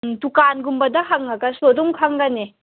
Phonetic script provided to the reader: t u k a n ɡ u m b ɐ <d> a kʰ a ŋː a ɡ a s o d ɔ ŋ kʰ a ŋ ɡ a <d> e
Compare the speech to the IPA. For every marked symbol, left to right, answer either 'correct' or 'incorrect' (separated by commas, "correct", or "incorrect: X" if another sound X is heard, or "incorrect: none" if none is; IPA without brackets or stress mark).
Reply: correct, incorrect: n